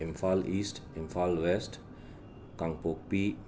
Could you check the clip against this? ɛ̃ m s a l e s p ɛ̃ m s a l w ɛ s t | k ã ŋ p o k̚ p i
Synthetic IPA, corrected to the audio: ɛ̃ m f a l i s t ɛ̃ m f a l w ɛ s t | k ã ŋ p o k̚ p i